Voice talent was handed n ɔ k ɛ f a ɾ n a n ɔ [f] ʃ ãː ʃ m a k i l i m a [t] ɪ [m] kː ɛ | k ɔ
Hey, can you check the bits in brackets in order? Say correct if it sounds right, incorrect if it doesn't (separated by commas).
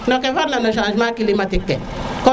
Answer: incorrect, correct, incorrect